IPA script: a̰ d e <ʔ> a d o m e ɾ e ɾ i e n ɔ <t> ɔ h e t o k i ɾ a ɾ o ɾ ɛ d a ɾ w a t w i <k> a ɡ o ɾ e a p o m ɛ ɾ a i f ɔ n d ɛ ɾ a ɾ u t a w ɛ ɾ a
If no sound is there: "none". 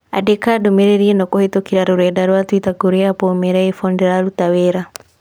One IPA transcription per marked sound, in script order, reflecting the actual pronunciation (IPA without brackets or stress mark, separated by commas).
k, k, t